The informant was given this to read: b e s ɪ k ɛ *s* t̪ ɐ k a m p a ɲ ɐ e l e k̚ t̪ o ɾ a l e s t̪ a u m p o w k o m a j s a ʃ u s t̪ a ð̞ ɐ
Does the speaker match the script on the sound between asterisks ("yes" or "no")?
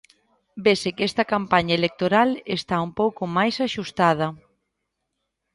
yes